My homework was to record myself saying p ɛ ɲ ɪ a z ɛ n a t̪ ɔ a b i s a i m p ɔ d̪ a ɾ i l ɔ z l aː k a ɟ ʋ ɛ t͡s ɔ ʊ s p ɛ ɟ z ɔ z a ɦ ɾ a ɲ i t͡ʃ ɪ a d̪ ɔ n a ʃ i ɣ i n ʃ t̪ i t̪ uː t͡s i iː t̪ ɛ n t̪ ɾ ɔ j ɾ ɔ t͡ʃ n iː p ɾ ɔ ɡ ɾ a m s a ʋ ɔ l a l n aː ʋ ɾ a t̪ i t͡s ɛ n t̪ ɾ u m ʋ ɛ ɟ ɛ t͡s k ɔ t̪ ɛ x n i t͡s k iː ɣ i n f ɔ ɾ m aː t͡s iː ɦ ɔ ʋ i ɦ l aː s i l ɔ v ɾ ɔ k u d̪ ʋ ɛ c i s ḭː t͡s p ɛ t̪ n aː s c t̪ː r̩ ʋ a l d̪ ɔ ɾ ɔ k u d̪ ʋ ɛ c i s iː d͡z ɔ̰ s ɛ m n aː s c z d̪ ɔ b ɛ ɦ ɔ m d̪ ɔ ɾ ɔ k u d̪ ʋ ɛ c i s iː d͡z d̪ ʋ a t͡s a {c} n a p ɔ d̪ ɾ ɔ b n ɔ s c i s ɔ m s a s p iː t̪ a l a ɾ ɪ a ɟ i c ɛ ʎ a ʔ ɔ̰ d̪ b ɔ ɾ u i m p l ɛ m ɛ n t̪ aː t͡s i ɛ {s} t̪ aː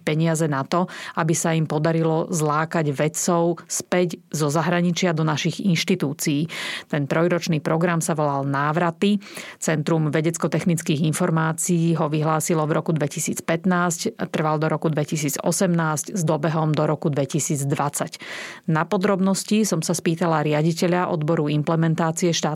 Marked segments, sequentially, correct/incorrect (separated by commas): correct, incorrect